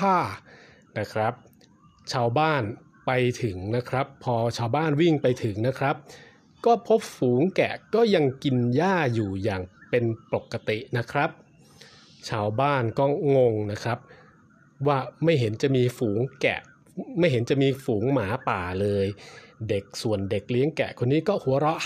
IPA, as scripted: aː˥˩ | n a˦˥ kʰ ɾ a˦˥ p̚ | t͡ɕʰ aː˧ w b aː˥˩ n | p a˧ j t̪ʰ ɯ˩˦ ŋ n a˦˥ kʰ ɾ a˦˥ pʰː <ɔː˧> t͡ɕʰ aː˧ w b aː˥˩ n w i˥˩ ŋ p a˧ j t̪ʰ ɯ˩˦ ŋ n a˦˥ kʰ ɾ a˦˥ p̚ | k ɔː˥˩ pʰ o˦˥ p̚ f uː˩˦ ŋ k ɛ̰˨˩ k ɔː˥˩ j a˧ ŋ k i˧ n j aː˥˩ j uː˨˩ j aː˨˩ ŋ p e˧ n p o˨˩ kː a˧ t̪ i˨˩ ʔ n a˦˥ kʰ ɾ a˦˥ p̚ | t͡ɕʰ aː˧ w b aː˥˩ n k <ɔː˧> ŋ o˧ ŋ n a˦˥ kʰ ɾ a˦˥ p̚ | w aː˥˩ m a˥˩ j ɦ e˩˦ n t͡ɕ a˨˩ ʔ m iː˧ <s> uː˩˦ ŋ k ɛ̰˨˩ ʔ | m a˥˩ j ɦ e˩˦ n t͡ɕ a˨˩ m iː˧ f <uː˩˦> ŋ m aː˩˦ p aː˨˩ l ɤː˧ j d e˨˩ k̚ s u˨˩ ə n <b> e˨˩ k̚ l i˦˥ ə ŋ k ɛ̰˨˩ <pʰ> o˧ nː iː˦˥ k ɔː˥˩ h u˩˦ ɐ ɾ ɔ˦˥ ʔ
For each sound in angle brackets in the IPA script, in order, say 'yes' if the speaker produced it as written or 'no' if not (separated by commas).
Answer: yes, no, no, yes, no, no